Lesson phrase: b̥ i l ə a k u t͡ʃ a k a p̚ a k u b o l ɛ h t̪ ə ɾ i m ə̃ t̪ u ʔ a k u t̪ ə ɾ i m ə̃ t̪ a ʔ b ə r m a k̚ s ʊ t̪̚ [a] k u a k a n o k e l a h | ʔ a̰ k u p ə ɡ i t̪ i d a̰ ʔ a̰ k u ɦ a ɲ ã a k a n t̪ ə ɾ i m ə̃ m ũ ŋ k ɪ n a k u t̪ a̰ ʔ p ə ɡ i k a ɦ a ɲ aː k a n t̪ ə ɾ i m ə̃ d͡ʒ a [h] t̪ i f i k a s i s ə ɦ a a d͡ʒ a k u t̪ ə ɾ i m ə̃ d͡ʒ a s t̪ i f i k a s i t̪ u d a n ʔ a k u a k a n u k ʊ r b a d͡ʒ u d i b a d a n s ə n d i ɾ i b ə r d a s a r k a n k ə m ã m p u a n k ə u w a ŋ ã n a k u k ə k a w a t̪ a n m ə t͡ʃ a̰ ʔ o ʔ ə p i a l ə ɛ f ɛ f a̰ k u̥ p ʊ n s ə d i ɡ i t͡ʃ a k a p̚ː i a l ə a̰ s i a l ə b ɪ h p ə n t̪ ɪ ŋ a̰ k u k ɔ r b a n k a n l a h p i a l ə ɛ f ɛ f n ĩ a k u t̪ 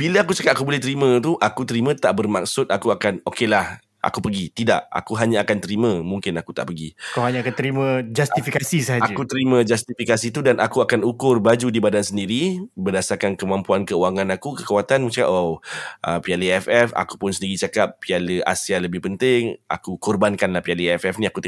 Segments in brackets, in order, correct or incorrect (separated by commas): correct, incorrect